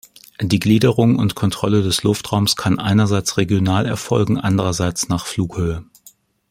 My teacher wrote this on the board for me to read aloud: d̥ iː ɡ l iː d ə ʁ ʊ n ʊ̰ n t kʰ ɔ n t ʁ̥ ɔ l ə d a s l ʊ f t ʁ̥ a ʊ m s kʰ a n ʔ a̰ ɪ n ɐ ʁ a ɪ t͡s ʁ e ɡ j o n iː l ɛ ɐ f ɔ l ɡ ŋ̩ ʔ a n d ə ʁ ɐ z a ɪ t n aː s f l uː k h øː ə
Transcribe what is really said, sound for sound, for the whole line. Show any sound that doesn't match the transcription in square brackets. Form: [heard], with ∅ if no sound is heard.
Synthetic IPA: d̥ iː ɡ l iː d ə ʁ ʊ [ŋ] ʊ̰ n t kʰ ɔ n t ʁ̥ ɔ l ə d [ɛ] s l ʊ f t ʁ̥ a ʊ m s kʰ a n ʔ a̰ ɪ n ɐ [z] a ɪ t͡s ʁ e ɡ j o n [aː] l ɛ ɐ f ɔ l ɡ ŋ̩ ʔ a n d ə ʁ ɐ z a ɪ [t͡s] n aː [χ] f l uː k h øː ə

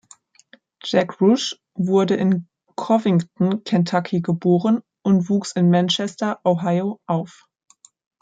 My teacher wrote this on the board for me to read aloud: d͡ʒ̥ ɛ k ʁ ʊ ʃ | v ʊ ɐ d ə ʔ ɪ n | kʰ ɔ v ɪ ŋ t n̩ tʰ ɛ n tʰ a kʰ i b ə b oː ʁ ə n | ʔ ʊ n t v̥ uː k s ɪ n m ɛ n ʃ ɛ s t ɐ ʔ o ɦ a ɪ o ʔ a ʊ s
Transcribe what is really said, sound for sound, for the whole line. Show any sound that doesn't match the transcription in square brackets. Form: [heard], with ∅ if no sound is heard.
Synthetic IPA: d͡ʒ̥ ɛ k ʁ ʊ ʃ | v ʊ ɐ d ə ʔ ɪ n | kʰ ɔ v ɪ ŋ t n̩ [kʰ] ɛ n tʰ a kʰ i [ɡ] ə b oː ʁ ə n | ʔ ʊ n t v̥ uː k s ɪ n m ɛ n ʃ ɛ s t ɐ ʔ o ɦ a ɪ o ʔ a ʊ [f]

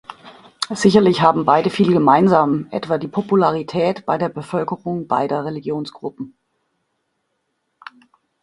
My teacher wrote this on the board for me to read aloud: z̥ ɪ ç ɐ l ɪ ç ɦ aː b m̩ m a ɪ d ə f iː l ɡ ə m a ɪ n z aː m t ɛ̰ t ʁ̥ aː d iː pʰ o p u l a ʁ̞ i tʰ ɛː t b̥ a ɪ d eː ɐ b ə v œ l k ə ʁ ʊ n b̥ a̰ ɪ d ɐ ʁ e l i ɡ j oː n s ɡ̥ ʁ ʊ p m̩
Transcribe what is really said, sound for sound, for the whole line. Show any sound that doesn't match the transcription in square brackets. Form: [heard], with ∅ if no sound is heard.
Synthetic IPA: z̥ ɪ ç ɐ l ɪ ç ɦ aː b m̩ [b] a ɪ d ə f iː l ɡ ə m a ɪ n z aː m [ʔ] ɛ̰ t [v̥] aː d iː pʰ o p u l a ʁ̞ i tʰ ɛː t b̥ a ɪ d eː ɐ b ə [f] œ l k ə ʁ ʊ [ŋ] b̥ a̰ ɪ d ɐ ʁ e l i ɡ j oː n s ɡ̥ ʁ ʊ p m̩

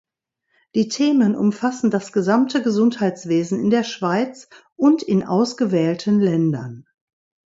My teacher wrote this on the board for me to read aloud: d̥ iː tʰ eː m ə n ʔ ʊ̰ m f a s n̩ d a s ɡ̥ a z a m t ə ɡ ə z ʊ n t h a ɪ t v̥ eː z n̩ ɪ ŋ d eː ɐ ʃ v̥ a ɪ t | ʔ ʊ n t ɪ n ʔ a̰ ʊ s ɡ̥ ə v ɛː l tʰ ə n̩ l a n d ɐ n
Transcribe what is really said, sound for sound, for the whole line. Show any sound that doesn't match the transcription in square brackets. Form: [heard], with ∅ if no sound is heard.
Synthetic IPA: d̥ iː tʰ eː m ə n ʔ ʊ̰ m f a s n̩ d a s ɡ̥ [ə] z a m t ə ɡ ə z ʊ n t h a ɪ [t͡s] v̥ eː z n̩ ɪ [n] d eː ɐ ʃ v̥ a ɪ [t͡s] | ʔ ʊ n t ɪ n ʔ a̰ ʊ s ɡ̥ ə v ɛː l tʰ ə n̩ l [ɛ] n d ɐ n

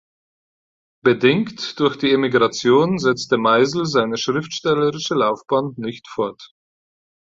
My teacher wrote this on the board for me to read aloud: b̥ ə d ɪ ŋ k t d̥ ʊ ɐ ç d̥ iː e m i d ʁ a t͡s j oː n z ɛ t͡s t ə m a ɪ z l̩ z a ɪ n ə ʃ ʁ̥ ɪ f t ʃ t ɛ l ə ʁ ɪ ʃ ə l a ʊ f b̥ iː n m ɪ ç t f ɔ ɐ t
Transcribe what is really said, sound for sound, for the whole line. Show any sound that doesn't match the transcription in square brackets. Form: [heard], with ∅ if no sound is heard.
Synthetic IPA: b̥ ə d ɪ ŋ k t d̥ ʊ ɐ ç d̥ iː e m i [ɡ] ʁ a t͡s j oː n z ɛ t͡s t ə m a ɪ z l̩ z a ɪ n ə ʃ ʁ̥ ɪ f t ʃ t ɛ l ə ʁ ɪ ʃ ə l a ʊ f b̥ [aː] n [n] ɪ ç t f ɔ ɐ t

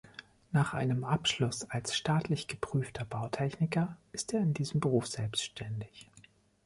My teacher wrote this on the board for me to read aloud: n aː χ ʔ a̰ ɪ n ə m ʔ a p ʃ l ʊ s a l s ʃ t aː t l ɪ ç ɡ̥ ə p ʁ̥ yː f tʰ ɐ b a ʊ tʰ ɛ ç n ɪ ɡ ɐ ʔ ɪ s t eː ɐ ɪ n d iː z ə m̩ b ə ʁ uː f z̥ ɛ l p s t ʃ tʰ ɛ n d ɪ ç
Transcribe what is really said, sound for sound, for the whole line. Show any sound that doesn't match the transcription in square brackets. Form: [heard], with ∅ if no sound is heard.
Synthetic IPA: n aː χ ʔ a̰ ɪ n ə m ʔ a p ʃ l ʊ s a l s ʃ t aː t l ɪ ç ɡ̥ ə p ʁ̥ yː f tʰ ɐ b a ʊ tʰ ɛ ç n ɪ [k] ɐ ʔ ɪ s t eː ɐ ɪ n d iː z ə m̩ b ə ʁ uː f z̥ ɛ l p s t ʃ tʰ ɛ n d ɪ ç

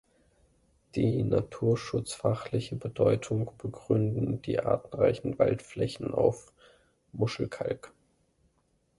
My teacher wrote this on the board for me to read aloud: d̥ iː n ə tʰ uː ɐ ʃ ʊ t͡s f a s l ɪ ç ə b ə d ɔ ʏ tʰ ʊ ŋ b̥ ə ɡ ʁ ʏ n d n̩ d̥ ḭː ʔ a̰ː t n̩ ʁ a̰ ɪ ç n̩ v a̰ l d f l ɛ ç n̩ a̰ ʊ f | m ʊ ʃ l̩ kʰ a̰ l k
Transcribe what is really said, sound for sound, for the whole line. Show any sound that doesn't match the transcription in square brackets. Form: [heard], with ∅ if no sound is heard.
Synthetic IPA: d̥ iː n [a] tʰ uː ɐ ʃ ʊ t͡s f a [χ] l ɪ ç ə b ə d ɔ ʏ tʰ ʊ ŋ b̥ ə ɡ ʁ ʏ n d n̩ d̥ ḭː ʔ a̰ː t n̩ ʁ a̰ ɪ ç n̩ v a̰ l [t] f l ɛ ç n̩ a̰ ʊ f | m ʊ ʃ l̩ kʰ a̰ l k

